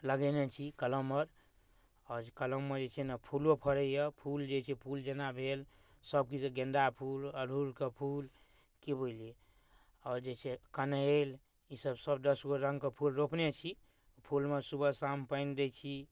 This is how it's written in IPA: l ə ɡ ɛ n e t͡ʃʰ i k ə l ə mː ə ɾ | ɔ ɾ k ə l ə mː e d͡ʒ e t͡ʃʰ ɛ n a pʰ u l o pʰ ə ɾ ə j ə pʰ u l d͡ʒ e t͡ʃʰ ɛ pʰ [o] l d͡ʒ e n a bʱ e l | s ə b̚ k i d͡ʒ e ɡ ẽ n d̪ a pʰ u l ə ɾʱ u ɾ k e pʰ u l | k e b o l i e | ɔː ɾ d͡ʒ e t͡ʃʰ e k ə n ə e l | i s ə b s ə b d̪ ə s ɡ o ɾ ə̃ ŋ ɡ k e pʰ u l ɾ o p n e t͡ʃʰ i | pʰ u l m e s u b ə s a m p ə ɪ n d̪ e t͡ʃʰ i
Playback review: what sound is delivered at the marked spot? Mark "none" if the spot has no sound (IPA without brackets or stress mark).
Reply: u